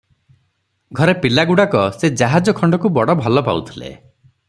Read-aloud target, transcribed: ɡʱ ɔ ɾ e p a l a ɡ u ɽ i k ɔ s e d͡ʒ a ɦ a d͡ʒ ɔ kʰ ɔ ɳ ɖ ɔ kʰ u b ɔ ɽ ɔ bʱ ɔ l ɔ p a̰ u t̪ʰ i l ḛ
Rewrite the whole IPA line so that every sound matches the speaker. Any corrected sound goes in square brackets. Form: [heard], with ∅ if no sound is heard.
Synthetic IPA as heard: ɡʱ ɔ ɾ e p [i] l a ɡ u ɽ [a] k ɔ s e d͡ʒ a ɦ a d͡ʒ ɔ kʰ ɔ ɳ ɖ ɔ [k] u b ɔ ɽ ɔ bʱ ɔ l ɔ p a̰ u t̪ʰ i l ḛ